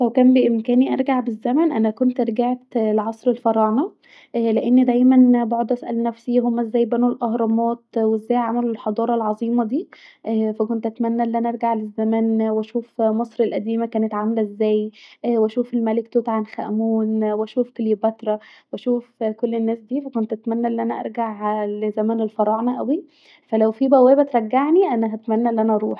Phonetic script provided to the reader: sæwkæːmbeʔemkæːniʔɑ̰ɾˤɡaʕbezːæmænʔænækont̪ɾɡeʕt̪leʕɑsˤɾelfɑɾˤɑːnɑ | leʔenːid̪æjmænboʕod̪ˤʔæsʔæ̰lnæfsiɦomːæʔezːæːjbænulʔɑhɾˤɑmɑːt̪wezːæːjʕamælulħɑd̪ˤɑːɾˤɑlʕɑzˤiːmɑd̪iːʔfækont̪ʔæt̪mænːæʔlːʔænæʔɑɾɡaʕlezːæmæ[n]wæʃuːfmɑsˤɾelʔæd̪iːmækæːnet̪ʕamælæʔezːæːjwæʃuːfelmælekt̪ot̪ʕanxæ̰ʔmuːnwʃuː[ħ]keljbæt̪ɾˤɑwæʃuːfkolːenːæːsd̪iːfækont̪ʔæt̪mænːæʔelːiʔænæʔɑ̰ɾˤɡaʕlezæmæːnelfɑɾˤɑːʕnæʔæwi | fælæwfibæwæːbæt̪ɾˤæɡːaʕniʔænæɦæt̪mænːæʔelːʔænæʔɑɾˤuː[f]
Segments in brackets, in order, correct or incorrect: correct, incorrect, incorrect

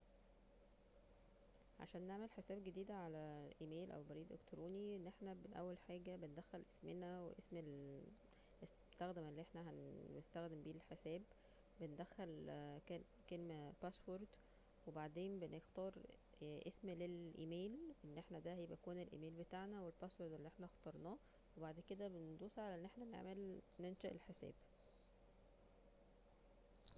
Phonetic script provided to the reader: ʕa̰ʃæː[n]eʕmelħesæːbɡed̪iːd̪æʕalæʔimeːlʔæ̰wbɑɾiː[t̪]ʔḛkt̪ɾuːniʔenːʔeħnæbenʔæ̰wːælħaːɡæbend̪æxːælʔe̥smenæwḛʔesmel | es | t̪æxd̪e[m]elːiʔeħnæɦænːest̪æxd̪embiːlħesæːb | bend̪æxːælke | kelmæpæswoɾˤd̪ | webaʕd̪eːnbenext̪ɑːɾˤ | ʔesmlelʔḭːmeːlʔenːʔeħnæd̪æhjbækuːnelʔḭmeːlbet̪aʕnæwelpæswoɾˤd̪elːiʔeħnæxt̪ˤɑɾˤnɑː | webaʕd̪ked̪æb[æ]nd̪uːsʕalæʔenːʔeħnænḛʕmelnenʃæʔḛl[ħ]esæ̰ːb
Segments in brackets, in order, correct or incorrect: incorrect, incorrect, correct, incorrect, correct

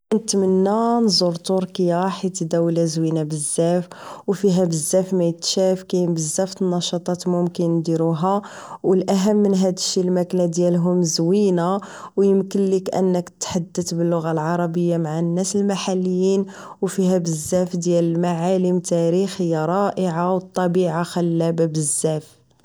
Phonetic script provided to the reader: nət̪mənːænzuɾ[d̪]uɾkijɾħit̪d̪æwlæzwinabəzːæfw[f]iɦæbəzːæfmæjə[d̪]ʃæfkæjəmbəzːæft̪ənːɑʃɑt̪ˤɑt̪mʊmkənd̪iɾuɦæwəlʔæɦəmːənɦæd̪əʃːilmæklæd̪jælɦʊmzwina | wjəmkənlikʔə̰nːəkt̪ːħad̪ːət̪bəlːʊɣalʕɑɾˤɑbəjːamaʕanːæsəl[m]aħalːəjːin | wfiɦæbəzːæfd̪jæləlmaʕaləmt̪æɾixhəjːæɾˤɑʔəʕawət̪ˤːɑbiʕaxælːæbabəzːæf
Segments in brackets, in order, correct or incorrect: incorrect, correct, incorrect, correct

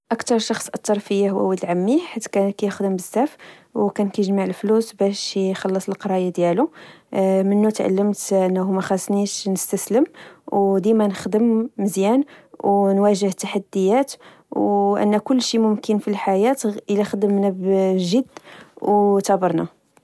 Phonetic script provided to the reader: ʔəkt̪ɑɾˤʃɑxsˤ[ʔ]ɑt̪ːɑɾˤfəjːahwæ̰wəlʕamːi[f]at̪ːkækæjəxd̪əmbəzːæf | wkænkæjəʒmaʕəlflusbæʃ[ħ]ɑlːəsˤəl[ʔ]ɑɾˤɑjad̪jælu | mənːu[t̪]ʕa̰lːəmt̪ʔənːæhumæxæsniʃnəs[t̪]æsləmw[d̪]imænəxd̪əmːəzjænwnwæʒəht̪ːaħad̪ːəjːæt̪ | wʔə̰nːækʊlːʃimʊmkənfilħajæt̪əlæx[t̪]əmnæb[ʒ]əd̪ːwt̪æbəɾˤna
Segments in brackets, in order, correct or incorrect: correct, incorrect, incorrect, incorrect, correct, correct, correct, incorrect, correct

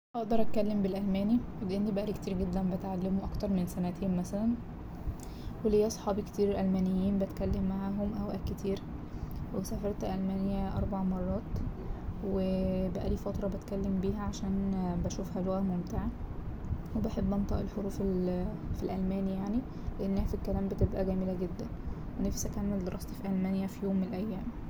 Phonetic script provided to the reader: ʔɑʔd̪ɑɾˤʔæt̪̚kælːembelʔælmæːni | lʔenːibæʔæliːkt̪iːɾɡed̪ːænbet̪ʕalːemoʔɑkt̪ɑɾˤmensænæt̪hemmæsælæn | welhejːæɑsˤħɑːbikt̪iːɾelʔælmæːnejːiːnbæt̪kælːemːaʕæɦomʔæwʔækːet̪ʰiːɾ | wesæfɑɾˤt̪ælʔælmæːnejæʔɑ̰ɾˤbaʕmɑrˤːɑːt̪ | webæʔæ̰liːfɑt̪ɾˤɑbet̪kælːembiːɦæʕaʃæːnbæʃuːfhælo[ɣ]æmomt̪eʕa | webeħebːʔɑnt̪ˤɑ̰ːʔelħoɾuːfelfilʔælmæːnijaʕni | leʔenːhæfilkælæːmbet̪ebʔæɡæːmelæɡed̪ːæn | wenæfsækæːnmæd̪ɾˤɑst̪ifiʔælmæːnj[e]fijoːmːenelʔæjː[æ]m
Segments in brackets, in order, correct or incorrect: correct, incorrect, incorrect

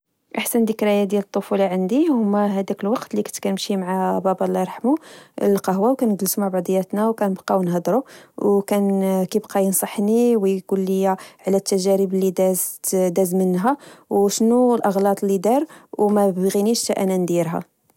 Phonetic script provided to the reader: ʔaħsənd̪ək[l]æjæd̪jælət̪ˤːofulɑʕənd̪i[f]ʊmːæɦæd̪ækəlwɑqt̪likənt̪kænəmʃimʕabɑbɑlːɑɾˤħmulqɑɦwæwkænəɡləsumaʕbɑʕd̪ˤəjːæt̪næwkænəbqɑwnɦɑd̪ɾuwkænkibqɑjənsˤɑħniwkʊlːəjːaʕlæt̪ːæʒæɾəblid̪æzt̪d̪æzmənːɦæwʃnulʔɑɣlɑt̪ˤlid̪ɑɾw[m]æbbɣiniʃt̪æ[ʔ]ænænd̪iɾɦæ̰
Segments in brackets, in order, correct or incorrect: incorrect, incorrect, correct, correct

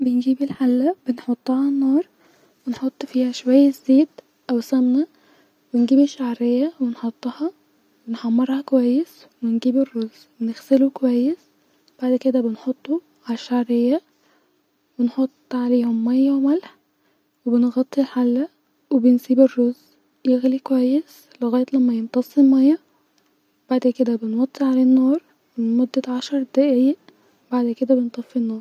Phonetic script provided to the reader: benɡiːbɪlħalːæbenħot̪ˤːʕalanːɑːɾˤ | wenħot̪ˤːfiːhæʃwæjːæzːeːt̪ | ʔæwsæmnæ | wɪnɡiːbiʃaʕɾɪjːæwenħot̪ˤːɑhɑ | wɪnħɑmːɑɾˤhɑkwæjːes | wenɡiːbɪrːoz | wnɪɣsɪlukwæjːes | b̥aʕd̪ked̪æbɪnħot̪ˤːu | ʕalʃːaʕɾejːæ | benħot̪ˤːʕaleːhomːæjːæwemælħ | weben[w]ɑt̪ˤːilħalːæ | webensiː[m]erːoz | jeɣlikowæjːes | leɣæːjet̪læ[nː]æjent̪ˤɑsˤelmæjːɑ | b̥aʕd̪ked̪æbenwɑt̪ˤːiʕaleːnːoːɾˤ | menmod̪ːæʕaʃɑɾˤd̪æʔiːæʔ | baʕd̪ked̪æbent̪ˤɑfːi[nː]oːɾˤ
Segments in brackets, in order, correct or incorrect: incorrect, incorrect, incorrect, correct

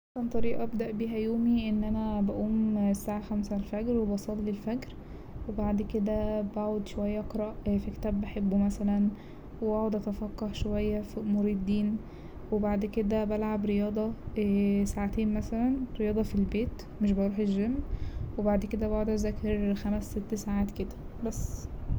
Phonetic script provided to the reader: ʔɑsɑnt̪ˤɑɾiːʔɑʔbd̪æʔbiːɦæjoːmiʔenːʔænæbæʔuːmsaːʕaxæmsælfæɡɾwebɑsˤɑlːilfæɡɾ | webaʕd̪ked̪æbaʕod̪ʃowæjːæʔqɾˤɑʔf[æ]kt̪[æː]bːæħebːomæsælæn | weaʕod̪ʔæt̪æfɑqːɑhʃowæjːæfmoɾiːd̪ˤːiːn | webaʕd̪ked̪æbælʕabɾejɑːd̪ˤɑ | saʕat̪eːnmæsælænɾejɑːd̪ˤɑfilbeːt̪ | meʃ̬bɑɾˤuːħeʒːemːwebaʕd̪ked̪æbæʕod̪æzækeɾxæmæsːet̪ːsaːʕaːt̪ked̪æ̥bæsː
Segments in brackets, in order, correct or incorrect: incorrect, correct

